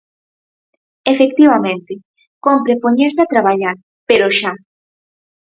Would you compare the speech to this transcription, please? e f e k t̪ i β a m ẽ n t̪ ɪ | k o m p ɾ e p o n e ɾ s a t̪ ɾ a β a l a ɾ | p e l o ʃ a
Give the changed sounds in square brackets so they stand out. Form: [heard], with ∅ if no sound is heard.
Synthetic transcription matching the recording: e f e k t̪ i β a m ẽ n t̪ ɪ | k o m p ɾ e p o [ɲ] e ɾ s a t̪ ɾ a β a [ʎ] a ɾ | p e [ɾ] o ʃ a